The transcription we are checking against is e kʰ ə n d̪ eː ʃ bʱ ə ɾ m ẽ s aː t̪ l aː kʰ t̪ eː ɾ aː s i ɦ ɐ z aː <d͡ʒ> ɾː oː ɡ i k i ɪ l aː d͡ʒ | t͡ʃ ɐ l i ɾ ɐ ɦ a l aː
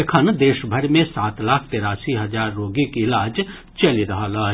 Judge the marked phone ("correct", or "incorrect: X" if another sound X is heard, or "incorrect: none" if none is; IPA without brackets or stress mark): incorrect: none